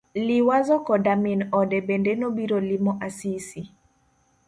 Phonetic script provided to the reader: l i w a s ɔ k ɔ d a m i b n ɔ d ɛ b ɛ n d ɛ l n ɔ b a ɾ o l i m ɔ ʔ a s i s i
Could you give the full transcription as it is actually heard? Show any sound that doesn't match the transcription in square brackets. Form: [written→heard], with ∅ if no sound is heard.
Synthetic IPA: l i w a [s→z] ɔ k ɔ d a m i [b→∅] n ɔ d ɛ b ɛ n d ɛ [l→∅] n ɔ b [a→i] ɾ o l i m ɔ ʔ a s i s i